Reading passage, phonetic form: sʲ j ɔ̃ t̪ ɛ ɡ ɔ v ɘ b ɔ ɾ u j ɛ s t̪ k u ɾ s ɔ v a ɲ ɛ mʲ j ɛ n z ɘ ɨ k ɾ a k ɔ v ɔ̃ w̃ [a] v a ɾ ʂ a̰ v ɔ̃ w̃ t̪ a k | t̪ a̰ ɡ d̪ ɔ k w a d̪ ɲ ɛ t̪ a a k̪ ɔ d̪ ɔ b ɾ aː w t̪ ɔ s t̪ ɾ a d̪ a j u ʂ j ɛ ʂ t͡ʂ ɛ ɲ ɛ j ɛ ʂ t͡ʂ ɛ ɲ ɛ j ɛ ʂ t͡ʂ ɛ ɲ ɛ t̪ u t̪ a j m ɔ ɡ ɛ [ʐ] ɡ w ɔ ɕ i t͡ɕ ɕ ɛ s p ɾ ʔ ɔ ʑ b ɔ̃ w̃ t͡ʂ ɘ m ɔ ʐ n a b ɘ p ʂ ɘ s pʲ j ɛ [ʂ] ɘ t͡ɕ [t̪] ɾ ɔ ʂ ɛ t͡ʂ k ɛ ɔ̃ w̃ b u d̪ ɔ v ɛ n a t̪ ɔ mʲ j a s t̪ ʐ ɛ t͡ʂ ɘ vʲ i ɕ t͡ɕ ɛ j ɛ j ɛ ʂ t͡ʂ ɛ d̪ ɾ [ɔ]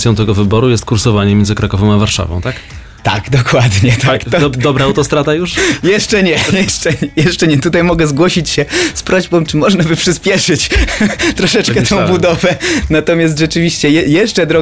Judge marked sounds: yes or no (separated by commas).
yes, no, yes, yes, yes